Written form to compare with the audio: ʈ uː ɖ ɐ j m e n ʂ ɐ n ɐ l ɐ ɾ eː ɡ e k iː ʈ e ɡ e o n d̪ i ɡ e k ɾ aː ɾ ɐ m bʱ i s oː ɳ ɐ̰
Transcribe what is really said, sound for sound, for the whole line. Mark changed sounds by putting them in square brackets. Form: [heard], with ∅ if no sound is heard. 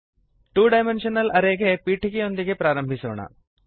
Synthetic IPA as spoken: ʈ uː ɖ ɐ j m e n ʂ ɐ n ɐ l ɐ ɾ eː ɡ e [p] iː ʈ [i] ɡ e o n d̪ i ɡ e [p] ɾ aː ɾ ɐ m bʱ i s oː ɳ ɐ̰